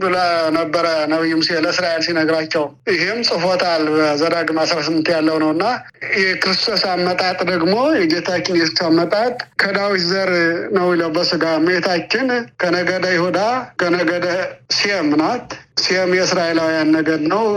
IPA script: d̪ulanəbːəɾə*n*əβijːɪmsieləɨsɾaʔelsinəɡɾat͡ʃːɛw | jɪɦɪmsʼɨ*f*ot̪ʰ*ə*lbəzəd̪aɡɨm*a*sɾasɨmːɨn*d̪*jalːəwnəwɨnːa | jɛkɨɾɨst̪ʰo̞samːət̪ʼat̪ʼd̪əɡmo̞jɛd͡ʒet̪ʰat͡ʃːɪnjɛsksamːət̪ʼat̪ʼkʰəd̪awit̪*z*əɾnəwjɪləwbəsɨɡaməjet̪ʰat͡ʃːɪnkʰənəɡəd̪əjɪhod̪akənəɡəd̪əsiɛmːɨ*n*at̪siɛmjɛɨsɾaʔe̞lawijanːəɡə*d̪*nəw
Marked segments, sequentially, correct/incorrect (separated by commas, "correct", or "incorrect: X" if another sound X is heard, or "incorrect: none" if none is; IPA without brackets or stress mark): correct, correct, incorrect: a, correct, incorrect: t̪, correct, correct, correct